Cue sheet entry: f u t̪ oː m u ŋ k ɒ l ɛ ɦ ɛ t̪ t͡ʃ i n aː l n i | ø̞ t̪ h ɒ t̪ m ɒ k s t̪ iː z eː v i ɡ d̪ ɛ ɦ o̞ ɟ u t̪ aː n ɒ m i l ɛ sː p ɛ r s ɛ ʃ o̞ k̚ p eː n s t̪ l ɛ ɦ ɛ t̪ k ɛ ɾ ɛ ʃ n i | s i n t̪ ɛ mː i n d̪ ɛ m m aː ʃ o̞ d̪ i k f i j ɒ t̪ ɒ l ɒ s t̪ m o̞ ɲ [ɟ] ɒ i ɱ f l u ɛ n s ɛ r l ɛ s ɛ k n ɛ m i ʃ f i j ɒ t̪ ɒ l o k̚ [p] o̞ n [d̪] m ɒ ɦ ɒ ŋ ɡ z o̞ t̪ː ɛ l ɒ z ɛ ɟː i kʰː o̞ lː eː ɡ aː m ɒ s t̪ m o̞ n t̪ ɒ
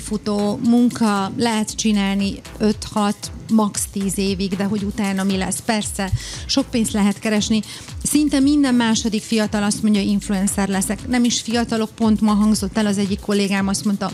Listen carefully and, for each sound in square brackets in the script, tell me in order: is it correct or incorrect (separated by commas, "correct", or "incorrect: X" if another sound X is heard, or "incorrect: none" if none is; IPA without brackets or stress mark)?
correct, correct, incorrect: t̪